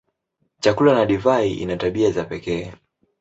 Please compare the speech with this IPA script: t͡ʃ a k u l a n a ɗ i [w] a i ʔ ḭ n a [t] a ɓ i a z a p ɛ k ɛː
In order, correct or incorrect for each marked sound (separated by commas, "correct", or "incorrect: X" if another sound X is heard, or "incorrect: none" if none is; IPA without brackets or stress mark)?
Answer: incorrect: v, correct